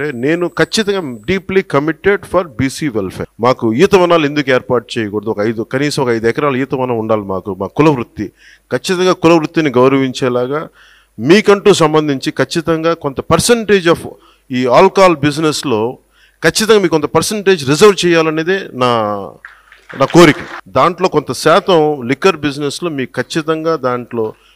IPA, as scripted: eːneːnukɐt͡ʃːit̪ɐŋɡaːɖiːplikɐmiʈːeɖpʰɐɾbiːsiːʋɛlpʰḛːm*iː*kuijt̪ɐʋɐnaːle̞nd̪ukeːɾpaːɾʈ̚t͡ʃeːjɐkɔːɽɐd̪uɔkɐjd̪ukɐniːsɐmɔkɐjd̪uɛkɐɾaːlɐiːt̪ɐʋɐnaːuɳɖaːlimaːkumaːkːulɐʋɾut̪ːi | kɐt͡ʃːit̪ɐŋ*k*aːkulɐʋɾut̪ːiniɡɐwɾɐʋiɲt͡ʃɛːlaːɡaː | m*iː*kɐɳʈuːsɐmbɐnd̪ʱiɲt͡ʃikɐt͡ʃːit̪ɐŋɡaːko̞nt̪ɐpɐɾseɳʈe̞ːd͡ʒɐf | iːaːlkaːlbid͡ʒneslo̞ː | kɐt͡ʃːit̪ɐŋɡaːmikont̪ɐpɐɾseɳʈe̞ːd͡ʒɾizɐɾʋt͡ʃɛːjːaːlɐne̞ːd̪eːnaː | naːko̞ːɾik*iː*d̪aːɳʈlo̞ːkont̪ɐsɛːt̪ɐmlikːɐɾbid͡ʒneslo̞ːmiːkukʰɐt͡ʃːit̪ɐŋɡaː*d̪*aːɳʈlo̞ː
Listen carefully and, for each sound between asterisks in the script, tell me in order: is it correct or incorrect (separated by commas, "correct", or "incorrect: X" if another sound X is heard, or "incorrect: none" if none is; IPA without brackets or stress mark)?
incorrect: aː, incorrect: ɡ, correct, incorrect: i, correct